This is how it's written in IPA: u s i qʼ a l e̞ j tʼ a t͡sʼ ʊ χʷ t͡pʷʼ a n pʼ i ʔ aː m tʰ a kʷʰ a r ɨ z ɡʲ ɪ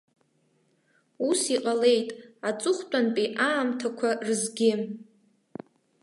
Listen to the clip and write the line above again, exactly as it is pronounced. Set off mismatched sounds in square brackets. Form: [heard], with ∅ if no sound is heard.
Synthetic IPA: u s i qʼ a l e̞ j tʼ a t͡sʼ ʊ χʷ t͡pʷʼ a n pʼ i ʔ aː m tʰ a kʷʰ a r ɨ z ɡʲ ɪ